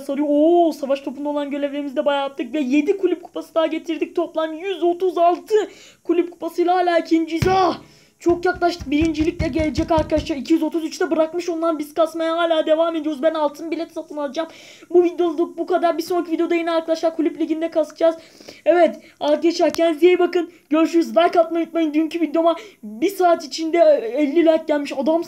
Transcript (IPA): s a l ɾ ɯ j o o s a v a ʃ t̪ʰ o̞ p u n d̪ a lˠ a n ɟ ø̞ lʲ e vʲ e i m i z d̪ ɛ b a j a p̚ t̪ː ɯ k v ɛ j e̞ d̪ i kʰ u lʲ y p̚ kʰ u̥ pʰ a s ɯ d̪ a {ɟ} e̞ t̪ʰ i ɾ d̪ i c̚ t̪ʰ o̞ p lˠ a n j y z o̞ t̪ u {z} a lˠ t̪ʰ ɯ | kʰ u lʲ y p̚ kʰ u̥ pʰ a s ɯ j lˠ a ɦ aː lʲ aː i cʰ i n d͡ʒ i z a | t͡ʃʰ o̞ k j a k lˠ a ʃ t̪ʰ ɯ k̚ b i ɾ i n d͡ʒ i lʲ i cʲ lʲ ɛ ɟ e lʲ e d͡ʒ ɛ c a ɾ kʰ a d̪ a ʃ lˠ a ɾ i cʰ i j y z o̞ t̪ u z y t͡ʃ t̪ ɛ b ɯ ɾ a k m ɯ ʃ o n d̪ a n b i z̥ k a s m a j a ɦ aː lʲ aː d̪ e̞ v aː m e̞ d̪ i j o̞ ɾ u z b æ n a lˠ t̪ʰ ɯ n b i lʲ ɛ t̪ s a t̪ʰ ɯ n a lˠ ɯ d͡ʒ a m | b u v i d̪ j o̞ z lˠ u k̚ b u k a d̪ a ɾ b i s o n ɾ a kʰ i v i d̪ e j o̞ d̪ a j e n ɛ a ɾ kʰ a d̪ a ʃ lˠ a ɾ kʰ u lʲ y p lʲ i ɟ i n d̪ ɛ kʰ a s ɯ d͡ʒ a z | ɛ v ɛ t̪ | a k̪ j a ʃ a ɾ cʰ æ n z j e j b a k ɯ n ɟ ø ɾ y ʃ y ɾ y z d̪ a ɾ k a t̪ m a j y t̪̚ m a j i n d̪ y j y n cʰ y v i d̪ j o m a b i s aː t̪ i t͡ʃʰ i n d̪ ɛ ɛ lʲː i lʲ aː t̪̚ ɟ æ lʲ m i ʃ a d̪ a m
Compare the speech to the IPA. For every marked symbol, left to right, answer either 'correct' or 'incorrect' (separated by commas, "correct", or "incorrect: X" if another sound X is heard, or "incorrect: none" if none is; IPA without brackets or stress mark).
correct, correct